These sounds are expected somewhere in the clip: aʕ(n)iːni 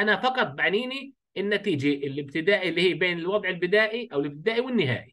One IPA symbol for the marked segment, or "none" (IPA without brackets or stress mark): n